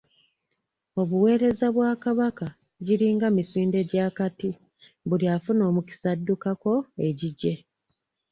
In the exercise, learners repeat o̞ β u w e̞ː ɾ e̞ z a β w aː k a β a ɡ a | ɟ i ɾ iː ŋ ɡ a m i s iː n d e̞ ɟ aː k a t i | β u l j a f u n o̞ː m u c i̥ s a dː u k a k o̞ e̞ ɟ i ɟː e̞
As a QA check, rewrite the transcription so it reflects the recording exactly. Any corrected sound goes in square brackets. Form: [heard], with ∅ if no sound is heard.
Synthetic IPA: o̞ β u w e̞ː ɾ e̞ z a β w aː k a β a [k] a | ɟ i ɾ iː ŋ ɡ a m i s iː n d e̞ ɟ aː k a t i | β u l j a f u n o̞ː m u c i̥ s a dː u k a k o̞ e̞ ɟ i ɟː e̞